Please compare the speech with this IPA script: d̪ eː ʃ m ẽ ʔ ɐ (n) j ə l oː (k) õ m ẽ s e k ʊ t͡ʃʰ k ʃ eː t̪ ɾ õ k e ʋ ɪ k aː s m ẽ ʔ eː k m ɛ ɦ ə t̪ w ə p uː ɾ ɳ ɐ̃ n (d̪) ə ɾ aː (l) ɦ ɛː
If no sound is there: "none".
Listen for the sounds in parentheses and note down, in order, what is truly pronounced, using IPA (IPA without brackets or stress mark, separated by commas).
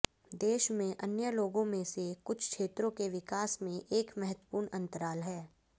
n, ɡ, t̪, l